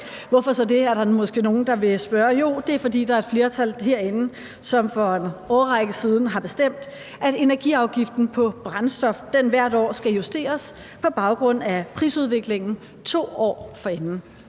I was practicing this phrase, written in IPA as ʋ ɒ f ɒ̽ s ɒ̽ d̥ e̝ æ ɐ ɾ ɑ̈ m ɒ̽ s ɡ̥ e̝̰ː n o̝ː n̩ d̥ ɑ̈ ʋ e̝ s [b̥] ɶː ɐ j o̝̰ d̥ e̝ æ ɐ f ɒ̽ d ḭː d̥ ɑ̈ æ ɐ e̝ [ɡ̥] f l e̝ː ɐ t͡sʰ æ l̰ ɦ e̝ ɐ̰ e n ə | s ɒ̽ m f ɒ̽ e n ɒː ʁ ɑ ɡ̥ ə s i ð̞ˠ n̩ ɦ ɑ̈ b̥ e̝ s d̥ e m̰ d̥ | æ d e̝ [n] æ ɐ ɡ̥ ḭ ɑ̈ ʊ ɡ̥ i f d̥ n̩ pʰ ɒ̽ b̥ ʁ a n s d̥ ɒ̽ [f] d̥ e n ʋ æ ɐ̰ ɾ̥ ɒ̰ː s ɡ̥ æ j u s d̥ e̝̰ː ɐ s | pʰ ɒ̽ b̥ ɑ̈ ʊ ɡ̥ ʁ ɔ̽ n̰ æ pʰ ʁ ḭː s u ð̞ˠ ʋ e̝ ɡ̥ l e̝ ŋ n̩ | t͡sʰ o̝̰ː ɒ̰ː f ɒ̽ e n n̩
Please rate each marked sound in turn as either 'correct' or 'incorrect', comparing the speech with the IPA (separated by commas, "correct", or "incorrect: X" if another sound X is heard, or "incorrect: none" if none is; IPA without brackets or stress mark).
correct, incorrect: d̥, correct, correct